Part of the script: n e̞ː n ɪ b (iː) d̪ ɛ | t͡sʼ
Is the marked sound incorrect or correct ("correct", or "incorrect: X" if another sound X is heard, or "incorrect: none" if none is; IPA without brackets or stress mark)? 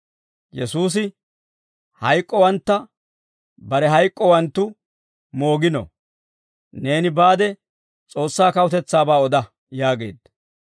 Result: incorrect: aː